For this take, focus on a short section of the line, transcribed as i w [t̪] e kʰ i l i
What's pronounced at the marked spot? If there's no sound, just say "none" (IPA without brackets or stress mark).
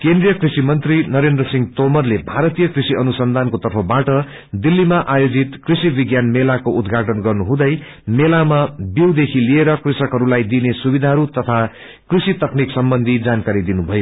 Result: d̪